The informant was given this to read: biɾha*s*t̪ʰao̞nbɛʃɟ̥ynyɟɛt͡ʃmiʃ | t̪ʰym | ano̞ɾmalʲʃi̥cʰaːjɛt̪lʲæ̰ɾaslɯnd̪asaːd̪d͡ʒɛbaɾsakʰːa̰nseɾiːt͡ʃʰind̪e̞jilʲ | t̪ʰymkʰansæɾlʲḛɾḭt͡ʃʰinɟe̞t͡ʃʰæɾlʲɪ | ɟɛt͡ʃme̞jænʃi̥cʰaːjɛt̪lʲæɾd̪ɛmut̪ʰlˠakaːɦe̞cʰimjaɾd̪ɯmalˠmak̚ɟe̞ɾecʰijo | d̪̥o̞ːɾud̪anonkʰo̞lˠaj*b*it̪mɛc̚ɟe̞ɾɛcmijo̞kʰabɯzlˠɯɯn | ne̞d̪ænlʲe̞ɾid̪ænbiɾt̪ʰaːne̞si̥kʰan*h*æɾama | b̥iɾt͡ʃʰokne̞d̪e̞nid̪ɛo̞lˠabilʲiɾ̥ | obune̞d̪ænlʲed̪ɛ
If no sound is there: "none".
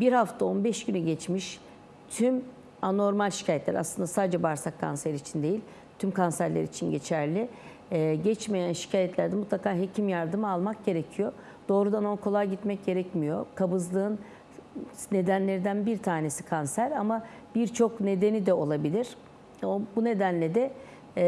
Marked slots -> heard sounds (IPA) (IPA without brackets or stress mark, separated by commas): f, ɟ, s